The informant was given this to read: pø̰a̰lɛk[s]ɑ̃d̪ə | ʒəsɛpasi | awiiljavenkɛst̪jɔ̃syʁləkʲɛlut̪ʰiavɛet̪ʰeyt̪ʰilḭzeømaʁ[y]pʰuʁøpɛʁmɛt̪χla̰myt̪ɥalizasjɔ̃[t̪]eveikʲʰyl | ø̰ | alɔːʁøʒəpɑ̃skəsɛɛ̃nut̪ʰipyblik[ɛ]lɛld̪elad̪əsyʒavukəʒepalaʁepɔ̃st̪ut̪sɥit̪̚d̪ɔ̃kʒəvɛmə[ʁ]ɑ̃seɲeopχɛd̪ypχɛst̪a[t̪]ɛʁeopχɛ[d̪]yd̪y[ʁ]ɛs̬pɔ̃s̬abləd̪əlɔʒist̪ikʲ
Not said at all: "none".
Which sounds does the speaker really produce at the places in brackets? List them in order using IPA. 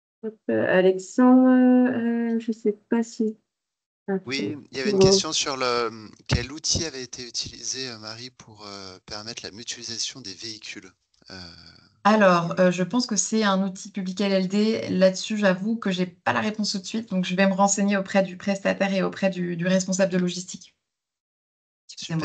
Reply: s, i, d̪, ɛ, ʁ, t̪, d̪, ʁ

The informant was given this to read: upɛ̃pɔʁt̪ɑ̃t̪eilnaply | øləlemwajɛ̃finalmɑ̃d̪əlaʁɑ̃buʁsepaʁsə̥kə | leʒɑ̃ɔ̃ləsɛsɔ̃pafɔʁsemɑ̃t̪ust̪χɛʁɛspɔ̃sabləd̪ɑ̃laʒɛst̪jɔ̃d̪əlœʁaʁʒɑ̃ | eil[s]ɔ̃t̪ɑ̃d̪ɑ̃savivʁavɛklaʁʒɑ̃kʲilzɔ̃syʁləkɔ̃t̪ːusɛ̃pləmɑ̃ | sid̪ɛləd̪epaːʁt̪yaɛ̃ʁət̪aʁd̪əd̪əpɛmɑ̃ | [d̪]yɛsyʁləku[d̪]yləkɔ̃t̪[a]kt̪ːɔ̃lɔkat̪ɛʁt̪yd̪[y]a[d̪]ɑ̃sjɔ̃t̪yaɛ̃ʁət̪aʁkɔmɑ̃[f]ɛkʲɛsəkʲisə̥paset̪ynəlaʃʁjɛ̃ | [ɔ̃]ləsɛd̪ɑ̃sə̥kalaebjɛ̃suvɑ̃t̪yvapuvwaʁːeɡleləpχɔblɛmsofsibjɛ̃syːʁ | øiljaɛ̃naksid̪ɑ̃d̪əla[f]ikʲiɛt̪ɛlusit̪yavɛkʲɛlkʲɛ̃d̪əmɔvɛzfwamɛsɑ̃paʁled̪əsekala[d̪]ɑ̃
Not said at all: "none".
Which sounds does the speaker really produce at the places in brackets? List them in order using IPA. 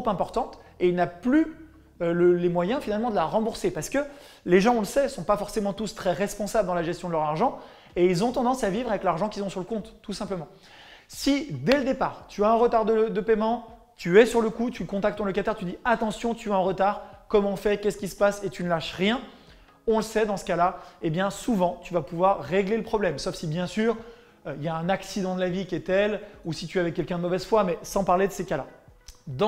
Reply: z, t̪, t̪, a, i, t̪, f, ɔ̃, v, d̪

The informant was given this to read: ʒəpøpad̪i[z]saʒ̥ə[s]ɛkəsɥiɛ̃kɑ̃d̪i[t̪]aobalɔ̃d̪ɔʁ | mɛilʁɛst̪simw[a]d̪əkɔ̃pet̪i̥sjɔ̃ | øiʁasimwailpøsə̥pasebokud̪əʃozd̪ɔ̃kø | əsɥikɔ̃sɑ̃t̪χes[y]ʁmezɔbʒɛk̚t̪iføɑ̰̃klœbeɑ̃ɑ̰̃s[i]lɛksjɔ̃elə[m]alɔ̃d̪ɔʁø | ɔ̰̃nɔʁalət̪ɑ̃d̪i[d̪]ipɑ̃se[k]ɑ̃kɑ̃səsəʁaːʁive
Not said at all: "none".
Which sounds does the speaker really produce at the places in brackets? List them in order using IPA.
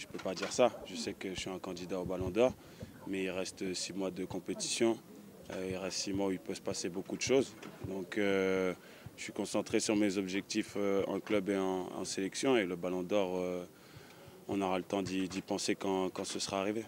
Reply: ʁ, s, d̪, a, y, e, b, d̪, k

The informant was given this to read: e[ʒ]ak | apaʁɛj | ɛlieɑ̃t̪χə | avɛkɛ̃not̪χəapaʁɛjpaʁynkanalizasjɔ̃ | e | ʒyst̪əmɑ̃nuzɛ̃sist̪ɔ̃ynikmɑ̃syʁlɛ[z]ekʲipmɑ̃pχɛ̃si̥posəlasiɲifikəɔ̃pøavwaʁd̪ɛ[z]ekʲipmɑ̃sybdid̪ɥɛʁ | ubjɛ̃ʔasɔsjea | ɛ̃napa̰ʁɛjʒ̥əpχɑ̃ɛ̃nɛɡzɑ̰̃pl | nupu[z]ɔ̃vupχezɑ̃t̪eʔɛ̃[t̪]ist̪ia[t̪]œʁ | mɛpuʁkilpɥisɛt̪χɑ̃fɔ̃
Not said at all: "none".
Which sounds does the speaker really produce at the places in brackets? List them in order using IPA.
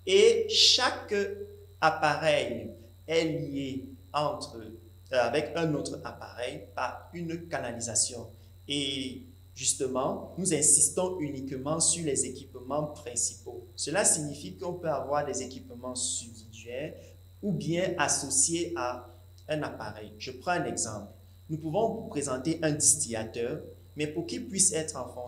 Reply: ʃ, z, z, v, d̪, t̪

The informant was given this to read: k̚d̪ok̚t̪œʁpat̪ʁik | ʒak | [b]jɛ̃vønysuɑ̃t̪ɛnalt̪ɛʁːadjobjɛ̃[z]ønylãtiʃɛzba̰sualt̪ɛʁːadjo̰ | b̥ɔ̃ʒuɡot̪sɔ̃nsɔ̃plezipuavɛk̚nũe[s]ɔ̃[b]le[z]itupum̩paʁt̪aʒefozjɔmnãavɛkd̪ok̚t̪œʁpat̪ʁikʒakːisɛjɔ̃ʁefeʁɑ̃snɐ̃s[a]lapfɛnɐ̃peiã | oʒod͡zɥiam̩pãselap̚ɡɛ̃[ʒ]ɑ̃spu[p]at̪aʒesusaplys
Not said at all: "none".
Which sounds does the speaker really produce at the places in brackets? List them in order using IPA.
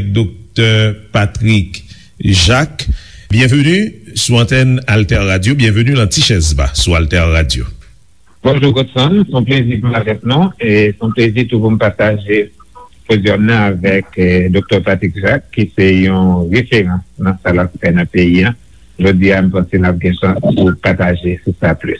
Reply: b, v, s, p, z, a, ʃ, p

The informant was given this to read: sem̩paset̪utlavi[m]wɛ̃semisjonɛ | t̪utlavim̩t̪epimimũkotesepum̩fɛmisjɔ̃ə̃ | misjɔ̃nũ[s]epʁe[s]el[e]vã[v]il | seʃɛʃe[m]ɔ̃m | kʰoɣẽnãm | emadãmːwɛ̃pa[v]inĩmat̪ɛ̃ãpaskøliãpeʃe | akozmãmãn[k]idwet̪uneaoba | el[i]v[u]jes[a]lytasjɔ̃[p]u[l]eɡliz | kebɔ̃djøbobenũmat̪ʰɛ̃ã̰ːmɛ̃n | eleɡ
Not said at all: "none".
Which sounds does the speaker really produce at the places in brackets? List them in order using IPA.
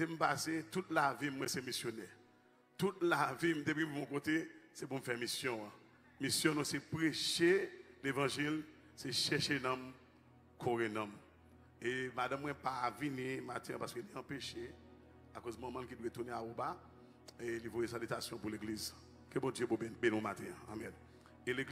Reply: m, s, ʃ, e, ʒ, n, v, k, i, o, a, p, l

